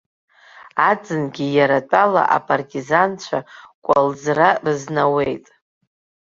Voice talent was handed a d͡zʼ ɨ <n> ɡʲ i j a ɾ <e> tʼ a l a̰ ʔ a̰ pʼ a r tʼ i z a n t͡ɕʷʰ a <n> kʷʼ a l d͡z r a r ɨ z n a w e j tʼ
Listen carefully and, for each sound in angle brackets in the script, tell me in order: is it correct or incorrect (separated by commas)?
correct, incorrect, incorrect